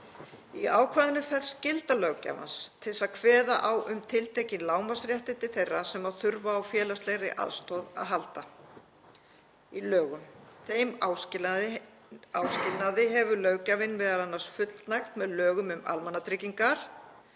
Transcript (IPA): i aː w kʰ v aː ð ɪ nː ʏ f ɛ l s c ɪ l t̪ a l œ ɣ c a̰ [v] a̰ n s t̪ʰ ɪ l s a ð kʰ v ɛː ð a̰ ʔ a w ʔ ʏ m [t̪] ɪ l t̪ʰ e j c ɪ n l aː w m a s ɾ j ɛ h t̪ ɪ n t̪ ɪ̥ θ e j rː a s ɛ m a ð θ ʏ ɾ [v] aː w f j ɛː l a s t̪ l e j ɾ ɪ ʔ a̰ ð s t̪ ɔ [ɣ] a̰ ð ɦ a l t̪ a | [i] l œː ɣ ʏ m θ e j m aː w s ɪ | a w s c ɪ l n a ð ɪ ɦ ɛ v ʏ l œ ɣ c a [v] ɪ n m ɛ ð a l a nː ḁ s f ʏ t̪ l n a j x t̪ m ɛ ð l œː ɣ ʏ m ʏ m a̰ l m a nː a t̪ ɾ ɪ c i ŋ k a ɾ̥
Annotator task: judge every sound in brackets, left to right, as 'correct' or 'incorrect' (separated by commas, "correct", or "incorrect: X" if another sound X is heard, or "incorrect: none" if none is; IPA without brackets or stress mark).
correct, incorrect: t̪ʰ, correct, incorrect: ð, correct, correct